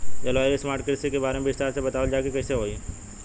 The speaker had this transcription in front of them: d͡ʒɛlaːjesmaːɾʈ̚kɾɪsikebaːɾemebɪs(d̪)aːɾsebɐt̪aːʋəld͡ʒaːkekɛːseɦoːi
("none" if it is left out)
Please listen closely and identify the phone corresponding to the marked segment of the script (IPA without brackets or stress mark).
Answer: t̪